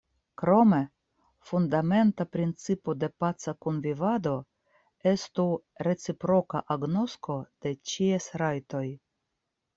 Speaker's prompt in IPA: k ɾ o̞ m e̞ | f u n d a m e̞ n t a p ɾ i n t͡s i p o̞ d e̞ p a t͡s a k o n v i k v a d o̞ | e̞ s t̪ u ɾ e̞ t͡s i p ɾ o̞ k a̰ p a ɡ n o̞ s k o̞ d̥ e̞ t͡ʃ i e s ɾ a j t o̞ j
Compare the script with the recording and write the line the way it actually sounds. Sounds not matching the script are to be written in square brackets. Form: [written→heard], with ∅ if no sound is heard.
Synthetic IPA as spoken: k ɾ o̞ m e̞ | f u n d a m e̞ n t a p ɾ i n t͡s i p o̞ d e̞ p a t͡s a k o n v i [k→∅] v a d o̞ | e̞ s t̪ u ɾ e̞ t͡s i p ɾ o̞ k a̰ [p→ʔ] a ɡ n o̞ s k o̞ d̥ e̞ t͡ʃ i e s ɾ a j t o̞ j